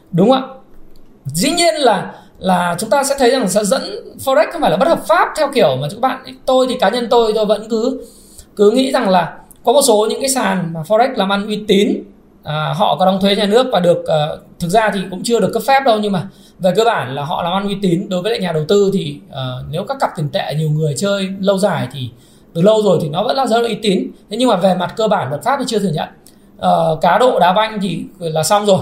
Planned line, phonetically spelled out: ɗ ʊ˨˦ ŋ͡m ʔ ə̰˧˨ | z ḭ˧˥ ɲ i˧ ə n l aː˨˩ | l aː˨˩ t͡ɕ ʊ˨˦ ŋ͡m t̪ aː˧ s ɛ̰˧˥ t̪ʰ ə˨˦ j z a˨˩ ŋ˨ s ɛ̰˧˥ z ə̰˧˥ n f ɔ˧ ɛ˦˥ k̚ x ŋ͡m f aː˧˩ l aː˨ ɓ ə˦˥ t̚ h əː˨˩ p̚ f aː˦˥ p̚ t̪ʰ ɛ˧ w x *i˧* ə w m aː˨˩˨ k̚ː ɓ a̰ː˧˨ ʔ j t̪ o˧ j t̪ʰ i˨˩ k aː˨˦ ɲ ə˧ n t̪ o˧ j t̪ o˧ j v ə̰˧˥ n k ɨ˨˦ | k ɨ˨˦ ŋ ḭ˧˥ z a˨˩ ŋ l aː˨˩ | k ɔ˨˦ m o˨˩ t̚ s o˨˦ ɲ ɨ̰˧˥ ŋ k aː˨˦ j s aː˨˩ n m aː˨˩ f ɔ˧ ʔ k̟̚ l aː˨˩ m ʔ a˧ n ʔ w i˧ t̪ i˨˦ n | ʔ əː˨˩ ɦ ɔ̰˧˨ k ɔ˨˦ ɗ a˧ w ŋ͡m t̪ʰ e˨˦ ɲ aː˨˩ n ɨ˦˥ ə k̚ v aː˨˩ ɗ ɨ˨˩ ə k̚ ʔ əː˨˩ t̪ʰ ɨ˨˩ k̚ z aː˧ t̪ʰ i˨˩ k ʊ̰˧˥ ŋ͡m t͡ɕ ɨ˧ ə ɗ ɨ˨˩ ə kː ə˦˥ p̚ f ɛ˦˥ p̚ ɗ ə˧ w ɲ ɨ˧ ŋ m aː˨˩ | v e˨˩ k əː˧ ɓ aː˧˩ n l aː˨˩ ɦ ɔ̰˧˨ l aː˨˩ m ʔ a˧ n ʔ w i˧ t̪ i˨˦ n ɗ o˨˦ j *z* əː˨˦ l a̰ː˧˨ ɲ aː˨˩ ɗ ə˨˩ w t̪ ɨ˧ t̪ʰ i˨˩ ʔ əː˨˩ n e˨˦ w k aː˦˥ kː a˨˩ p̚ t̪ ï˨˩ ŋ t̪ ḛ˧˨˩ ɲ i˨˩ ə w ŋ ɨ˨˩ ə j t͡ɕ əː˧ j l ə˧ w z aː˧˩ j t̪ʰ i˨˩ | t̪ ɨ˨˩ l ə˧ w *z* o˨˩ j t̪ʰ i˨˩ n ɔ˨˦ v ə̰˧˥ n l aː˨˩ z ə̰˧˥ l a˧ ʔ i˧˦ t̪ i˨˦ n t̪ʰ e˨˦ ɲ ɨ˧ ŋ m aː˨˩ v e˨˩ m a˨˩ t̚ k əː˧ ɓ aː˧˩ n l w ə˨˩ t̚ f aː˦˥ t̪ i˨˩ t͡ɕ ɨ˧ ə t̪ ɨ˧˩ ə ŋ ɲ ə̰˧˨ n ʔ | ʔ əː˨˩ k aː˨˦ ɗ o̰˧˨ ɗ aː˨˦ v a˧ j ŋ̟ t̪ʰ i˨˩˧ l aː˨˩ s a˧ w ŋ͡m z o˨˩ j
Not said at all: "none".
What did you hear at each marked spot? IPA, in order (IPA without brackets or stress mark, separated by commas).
i˧˩, v, z